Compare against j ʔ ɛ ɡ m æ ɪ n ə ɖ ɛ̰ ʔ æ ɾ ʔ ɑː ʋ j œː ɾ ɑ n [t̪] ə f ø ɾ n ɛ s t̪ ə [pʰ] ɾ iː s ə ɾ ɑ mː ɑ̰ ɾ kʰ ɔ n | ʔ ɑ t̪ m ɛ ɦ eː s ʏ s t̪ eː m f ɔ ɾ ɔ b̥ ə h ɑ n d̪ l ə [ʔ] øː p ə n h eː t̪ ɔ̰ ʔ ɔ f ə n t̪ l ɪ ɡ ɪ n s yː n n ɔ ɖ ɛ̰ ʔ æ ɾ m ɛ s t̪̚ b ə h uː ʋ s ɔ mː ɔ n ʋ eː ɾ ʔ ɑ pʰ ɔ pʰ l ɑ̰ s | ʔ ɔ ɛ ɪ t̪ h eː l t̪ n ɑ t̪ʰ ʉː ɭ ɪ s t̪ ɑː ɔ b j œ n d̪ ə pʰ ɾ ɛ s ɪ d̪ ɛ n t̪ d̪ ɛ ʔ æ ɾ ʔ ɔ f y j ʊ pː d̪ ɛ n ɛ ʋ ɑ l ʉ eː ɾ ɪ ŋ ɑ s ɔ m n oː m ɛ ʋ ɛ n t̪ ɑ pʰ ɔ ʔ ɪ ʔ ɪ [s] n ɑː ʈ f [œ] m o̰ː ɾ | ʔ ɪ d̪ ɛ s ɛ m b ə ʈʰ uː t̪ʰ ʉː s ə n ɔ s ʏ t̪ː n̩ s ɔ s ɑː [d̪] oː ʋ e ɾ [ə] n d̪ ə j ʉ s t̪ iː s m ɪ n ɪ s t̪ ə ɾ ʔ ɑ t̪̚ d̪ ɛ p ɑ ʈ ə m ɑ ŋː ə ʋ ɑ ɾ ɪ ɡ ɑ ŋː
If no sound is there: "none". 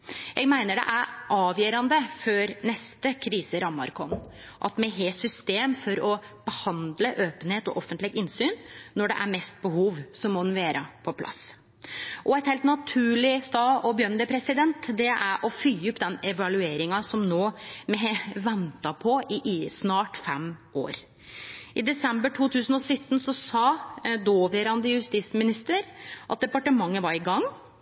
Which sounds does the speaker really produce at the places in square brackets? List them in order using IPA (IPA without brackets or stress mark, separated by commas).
d̪, kʰ, ʔ, s, ɛ, d̪, ɑ